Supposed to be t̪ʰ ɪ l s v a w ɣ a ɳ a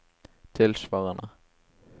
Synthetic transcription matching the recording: t̪ʰ ɪ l s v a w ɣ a n a